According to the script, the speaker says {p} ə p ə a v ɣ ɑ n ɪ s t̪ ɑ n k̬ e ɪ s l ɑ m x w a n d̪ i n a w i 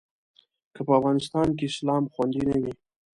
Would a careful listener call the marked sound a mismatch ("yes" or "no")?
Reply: yes